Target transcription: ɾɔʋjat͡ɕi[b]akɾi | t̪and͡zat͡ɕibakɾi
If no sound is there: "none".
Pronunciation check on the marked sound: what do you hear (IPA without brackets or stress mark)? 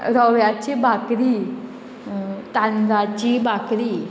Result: b